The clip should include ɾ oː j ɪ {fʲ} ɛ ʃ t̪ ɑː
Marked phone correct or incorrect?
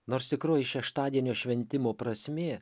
incorrect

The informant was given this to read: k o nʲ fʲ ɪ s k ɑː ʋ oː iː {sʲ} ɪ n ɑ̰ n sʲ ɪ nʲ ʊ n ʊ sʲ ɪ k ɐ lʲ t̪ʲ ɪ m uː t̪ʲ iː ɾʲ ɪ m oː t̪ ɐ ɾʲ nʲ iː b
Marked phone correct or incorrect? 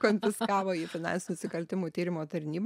incorrect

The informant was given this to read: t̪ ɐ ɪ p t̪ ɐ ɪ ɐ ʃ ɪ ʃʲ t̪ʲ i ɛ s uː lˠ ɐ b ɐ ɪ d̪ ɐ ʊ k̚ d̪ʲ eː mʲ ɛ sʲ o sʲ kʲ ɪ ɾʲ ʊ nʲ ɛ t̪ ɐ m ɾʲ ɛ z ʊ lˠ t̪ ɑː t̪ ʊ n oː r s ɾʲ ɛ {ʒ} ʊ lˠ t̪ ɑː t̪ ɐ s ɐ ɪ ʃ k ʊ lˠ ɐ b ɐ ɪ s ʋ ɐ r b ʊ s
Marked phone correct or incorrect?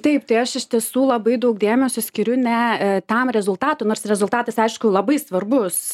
incorrect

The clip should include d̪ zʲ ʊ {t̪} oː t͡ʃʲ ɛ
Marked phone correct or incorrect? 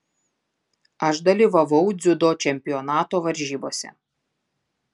incorrect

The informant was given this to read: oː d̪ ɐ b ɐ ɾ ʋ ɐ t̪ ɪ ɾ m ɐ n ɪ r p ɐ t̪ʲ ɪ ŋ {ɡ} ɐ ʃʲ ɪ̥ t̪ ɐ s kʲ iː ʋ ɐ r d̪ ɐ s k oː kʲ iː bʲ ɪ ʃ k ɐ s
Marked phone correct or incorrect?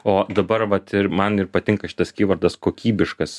incorrect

